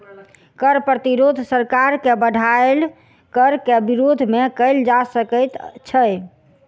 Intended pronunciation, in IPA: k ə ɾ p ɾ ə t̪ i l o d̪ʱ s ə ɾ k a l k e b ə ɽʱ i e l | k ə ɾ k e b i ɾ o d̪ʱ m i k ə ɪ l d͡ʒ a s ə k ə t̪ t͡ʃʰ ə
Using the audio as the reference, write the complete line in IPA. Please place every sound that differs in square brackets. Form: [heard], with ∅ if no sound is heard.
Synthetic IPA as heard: k ə ɾ p ɾ ə t̪ i [ɾ] o d̪ʱ s ə ɾ k a [ɾ] k e b ə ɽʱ [a] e l | k ə ɾ k e b i ɾ o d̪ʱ m [e] k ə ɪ l d͡ʒ a s ə k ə t̪ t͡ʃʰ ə